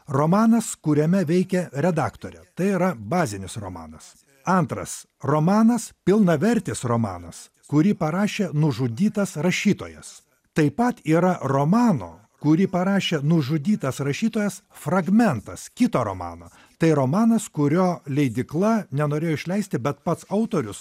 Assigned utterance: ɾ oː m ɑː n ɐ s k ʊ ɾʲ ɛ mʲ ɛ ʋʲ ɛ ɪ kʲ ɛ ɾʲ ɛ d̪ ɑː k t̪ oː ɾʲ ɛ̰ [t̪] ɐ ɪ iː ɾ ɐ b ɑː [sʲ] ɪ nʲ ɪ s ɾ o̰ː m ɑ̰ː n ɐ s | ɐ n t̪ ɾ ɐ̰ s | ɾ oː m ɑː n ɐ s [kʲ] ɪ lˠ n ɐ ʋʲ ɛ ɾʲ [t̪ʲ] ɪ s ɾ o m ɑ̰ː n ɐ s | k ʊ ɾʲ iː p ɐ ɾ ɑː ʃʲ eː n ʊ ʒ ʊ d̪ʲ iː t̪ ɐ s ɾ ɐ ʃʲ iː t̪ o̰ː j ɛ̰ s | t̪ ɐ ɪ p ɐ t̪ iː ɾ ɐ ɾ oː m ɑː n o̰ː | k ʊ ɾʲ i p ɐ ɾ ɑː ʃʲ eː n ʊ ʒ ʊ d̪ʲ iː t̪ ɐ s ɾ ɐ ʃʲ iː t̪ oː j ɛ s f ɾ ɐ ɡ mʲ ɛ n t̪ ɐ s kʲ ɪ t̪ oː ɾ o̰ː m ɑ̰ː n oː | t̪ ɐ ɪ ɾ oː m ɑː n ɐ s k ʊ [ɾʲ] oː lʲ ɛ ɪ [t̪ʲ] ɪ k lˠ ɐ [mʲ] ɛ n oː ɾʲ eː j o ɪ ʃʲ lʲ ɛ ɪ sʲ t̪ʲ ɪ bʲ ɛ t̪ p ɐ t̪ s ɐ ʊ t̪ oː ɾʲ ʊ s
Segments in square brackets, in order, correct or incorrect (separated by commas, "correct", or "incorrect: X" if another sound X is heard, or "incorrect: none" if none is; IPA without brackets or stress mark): correct, incorrect: zʲ, incorrect: pʲ, correct, correct, incorrect: d̪ʲ, incorrect: nʲ